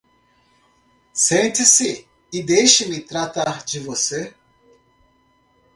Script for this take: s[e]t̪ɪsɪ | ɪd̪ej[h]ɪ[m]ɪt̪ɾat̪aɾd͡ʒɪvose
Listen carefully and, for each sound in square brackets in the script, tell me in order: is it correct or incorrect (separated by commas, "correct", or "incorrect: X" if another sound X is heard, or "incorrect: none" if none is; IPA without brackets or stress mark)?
incorrect: ẽ, incorrect: ʃ, correct